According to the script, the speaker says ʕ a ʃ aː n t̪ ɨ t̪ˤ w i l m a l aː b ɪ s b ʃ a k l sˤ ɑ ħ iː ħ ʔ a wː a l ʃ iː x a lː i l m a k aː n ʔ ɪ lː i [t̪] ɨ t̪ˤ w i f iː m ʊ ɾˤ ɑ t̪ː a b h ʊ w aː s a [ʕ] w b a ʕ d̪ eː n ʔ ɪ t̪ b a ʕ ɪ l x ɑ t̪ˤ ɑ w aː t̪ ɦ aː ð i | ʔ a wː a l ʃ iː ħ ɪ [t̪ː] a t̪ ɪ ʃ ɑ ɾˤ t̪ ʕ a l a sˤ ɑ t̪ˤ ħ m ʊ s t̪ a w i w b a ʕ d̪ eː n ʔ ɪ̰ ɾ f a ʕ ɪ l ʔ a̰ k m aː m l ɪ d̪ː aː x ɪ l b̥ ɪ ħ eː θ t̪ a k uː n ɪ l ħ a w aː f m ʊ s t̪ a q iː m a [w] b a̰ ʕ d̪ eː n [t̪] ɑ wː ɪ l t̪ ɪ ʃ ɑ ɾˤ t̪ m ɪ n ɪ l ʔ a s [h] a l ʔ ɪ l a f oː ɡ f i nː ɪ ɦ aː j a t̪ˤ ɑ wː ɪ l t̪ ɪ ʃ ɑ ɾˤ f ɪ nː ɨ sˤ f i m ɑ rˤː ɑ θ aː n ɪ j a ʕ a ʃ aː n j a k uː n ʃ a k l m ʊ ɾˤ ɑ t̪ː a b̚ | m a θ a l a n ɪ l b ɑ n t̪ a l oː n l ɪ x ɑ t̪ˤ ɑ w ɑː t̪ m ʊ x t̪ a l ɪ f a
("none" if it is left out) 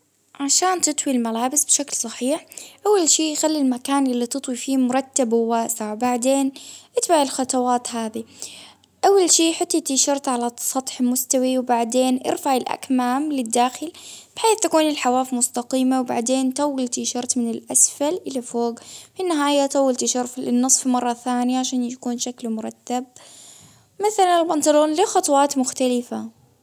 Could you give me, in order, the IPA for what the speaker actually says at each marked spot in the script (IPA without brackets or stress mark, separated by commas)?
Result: t̪, ʕ, t̪ː, w, t̪, f